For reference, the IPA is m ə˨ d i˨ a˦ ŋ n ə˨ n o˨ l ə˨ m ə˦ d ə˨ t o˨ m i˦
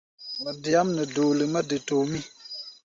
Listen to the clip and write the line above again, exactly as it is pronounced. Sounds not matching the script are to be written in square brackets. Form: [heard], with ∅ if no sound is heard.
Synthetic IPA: m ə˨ d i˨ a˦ [m] n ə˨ [d] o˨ l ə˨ m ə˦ d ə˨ t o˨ m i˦